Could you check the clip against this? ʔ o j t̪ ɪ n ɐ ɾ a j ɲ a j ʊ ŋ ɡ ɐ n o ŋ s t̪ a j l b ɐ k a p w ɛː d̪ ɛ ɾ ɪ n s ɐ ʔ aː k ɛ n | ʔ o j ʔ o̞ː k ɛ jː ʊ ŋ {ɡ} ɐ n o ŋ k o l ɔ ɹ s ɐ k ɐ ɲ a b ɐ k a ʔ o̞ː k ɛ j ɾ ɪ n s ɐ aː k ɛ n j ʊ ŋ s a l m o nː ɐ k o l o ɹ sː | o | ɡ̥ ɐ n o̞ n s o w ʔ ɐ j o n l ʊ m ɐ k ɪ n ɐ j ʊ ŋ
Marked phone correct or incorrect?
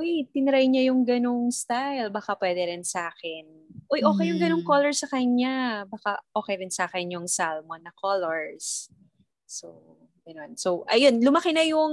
correct